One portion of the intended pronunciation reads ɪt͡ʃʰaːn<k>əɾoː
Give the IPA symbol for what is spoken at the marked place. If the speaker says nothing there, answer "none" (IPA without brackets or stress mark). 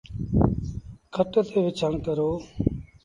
k